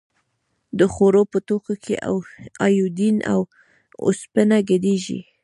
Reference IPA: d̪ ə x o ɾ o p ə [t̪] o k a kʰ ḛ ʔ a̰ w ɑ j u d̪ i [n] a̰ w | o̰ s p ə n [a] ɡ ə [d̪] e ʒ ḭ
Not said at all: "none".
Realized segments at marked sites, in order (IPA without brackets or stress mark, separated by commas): t̪, n, a, d̪